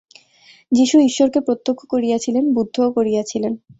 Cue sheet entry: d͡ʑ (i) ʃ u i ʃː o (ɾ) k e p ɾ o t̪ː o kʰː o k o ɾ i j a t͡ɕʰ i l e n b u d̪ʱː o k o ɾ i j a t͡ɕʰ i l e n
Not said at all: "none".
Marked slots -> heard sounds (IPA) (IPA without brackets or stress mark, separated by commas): i, ɾ